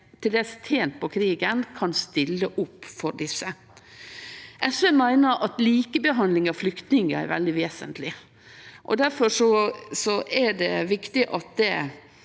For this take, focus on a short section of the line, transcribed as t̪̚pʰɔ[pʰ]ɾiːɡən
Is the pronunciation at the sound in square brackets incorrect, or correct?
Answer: incorrect